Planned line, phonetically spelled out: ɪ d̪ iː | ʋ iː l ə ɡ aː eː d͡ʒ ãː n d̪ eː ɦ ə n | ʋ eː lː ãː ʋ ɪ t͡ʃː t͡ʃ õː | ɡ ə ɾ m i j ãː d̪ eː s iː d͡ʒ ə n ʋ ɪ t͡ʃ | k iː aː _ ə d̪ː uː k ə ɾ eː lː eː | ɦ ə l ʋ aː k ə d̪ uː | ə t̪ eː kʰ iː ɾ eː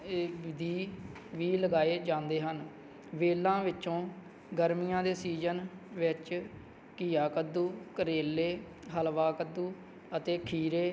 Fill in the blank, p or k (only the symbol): k